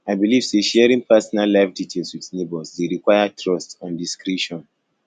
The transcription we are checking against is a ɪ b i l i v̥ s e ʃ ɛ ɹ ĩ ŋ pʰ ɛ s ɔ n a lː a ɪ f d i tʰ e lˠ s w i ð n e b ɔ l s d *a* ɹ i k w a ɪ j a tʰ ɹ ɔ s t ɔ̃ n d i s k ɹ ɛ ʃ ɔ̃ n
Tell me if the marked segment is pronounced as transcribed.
no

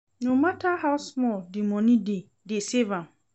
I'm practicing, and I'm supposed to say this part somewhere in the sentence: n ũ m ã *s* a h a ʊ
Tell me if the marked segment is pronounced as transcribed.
no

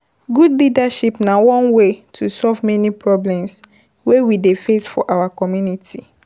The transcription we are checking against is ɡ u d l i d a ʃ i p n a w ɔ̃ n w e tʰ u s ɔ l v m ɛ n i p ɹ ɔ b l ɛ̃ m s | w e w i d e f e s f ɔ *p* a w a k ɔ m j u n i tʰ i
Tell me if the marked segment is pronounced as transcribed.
no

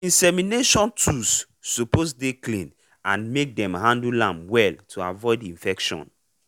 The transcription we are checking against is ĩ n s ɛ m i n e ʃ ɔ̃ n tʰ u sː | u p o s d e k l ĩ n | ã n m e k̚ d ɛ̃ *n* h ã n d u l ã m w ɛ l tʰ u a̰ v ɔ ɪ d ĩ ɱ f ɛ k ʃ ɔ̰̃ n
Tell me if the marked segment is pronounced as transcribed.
no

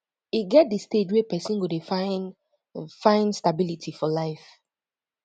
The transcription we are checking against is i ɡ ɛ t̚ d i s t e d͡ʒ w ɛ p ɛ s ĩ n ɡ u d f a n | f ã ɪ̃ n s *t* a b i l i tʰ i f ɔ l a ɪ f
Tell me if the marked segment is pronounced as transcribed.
yes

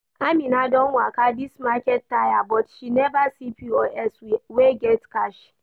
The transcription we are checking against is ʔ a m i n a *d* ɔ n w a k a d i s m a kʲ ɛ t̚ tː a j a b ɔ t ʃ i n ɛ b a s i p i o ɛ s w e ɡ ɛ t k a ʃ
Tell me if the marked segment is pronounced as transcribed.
yes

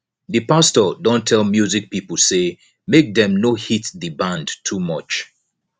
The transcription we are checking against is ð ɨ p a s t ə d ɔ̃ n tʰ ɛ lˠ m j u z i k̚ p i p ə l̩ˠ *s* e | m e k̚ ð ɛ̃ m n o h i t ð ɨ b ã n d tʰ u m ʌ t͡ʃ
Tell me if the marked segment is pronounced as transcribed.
yes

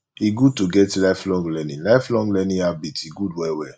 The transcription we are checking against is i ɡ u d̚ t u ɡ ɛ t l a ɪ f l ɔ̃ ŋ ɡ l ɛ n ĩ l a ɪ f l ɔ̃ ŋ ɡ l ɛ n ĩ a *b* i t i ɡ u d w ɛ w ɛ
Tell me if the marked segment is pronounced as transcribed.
yes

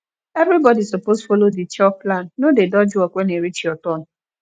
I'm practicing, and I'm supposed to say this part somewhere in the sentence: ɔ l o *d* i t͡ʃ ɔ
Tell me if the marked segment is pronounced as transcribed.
yes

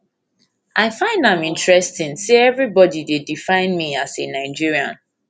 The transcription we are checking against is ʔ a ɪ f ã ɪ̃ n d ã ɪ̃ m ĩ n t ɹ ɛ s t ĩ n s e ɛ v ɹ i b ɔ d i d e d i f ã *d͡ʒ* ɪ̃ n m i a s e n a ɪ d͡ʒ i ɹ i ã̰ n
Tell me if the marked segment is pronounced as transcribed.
no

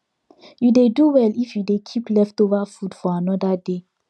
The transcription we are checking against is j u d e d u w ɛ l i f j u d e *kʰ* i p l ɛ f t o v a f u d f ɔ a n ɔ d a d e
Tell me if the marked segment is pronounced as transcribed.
yes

